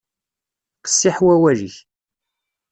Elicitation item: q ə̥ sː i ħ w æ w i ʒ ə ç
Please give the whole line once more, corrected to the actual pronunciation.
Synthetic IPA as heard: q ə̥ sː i ħ w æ w æ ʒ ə ç